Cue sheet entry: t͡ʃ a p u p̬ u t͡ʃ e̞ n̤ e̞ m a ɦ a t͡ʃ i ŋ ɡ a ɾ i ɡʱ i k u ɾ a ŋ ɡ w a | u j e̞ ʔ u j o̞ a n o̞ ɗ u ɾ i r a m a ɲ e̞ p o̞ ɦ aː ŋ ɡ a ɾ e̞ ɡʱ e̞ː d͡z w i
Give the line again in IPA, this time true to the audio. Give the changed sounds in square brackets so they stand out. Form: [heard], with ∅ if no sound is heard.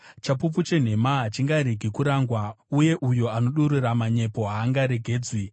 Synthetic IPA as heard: t͡ʃ a p u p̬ u t͡ʃ e̞ n̤ e̞ m a ɦ a t͡ʃ i ŋ ɡ a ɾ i ɡʱ i k u ɾ a ŋ ɡ w a | u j e̞ ʔ u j o̞ a n o̞ ɗ u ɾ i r a m a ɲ e̞ p o̞ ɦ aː ŋ ɡ a ɾ e̞ ɡʱ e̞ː d͡z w i